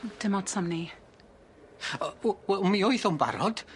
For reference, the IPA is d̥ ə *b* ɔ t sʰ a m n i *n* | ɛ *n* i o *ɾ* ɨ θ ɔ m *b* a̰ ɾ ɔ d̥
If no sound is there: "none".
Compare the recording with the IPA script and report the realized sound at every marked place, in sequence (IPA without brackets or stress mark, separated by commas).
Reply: m, none, m, none, b